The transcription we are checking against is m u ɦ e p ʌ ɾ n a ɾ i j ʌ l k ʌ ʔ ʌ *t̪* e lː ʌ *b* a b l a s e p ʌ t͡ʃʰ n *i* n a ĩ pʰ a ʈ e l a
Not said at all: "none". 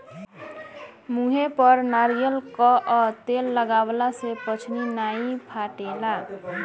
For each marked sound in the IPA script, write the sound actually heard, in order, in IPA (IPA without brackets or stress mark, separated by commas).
t̪, ɡ, i